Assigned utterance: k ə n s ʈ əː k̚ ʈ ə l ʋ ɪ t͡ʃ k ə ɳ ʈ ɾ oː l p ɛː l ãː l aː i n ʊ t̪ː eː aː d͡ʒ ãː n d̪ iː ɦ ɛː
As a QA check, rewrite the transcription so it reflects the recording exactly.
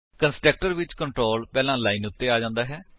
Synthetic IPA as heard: k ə n s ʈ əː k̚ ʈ ə ɾ ʋ ɪ t͡ʃ k ə ɳ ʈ ɾ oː l p ɛː l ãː l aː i n ʊ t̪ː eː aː d͡ʒ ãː n d̪ aː ɦ ɛː